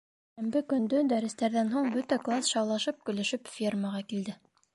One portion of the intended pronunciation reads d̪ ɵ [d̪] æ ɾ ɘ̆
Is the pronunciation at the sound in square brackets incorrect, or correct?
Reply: correct